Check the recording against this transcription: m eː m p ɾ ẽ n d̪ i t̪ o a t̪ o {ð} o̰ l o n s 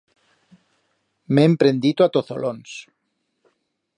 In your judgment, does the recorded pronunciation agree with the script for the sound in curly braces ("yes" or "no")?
no